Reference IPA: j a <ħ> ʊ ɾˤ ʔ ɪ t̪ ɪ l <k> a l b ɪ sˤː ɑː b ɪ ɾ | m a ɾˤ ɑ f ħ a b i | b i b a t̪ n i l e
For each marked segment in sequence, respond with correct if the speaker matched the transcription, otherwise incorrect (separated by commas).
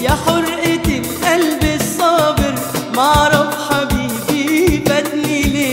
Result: correct, incorrect